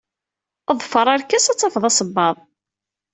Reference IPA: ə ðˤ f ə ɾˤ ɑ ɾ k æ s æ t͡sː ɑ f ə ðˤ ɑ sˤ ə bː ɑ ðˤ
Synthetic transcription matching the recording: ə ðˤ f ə ɾˤ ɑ ɾ k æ s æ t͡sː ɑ f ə ðˤ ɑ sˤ ə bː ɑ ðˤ